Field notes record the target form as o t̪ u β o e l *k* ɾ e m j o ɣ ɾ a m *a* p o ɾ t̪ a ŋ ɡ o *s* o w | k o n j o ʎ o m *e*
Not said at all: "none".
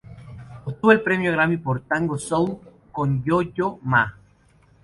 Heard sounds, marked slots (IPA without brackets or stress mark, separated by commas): p, i, s, a